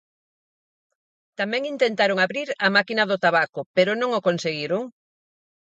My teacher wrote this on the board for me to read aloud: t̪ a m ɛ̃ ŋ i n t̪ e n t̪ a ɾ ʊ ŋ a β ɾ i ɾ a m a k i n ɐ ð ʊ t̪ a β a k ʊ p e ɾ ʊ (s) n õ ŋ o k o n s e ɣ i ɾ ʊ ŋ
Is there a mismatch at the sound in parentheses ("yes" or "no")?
yes